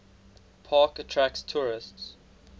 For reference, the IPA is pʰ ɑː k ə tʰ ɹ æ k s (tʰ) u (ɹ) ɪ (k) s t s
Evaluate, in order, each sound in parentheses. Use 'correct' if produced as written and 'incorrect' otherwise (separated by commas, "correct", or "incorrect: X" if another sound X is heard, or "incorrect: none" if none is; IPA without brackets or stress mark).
correct, correct, incorrect: none